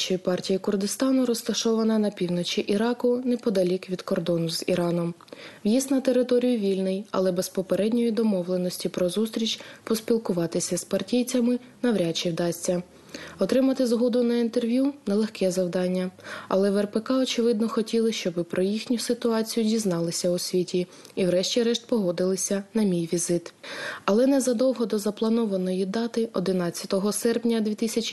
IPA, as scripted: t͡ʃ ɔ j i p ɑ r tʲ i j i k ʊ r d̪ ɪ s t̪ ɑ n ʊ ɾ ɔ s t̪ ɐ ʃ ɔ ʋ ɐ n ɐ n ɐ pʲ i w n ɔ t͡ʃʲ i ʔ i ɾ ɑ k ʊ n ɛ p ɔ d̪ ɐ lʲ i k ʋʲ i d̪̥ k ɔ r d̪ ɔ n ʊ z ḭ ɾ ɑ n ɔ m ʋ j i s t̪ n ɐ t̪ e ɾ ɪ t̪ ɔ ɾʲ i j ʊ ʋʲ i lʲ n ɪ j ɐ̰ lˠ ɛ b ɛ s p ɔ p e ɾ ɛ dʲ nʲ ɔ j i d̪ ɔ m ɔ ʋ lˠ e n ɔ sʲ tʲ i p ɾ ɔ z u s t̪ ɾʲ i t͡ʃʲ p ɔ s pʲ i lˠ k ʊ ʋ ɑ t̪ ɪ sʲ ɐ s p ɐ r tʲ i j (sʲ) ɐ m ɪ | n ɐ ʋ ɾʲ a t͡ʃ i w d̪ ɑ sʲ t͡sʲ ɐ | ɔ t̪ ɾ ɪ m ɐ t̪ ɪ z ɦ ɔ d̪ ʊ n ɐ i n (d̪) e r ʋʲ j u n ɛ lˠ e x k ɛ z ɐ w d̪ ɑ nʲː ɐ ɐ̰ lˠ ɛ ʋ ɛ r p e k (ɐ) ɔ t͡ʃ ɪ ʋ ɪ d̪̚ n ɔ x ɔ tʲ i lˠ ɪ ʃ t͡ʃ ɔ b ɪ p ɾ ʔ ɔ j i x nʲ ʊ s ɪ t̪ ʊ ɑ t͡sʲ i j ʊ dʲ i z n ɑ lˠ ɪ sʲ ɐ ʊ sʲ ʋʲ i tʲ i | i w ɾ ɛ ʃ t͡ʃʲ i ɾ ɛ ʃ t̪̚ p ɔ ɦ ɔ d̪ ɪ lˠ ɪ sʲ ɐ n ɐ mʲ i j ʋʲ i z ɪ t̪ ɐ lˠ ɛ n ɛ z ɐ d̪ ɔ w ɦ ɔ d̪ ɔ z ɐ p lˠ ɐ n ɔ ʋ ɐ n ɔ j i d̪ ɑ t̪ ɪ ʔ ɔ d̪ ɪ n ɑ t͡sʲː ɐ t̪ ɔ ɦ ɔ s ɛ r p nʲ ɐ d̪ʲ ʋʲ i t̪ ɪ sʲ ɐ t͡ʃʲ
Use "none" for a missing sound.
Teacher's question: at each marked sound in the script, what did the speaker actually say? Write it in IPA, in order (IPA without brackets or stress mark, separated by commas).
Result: t͡sʲ, t̪, ɑ